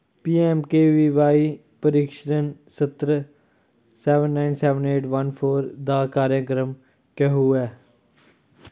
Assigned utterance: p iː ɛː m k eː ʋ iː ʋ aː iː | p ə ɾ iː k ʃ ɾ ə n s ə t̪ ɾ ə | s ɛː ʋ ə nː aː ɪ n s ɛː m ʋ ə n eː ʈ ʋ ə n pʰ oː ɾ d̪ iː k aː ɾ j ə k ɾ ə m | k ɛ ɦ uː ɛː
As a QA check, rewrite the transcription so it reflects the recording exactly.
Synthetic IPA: p iː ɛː m k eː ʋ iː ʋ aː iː | p ə ɾ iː k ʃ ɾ ə n s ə t̪ ɾ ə | s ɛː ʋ ə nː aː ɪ n s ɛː ʋ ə n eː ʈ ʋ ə n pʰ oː ɾ d̪ aː k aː ɾ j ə k ɾ ə m | k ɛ ɦ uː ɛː